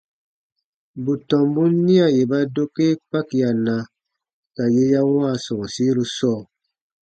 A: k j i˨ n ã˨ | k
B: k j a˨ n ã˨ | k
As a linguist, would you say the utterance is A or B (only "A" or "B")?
B